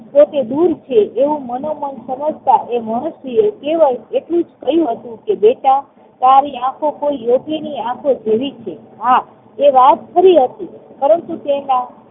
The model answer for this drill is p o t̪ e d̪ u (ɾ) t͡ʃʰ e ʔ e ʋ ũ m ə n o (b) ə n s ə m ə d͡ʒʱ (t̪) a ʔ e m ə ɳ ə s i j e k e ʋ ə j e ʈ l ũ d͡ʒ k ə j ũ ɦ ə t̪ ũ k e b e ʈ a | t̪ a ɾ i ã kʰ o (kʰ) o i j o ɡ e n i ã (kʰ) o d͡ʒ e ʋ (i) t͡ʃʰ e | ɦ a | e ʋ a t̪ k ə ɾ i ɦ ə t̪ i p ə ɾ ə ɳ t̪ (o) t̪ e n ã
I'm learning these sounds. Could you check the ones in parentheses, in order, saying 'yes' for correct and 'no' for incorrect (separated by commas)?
yes, no, yes, no, yes, yes, no